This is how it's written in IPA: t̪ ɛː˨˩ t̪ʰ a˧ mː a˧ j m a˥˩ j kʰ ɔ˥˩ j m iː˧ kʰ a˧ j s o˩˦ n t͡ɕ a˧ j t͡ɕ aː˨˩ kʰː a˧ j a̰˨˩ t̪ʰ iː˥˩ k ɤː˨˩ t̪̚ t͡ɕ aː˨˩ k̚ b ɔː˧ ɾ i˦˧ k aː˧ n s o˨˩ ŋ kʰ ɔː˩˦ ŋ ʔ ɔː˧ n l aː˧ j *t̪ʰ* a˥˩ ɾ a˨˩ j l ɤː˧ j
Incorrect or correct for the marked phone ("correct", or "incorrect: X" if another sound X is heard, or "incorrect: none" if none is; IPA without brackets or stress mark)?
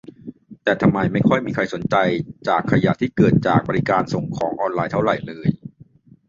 correct